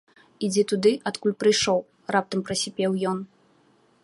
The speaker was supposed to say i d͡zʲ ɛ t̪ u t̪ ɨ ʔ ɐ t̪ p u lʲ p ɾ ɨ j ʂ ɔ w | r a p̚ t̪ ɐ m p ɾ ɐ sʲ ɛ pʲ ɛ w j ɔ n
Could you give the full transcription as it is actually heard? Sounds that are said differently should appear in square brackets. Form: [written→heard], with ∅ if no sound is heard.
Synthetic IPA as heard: i d͡zʲ ɛ t̪ u [t̪→d̪] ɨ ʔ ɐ t̪ [p→k] u lʲ p ɾ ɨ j ʂ ɔ w | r a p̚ t̪ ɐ m p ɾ ɐ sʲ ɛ pʲ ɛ w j ɔ n